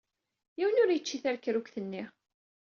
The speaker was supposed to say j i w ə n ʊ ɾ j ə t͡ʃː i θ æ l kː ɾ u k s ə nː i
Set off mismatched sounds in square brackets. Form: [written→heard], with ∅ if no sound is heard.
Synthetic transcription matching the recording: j i w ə n ʊ ɾ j ə t͡ʃː i θ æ [l→ɾ] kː ɾ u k [s→θ] ə nː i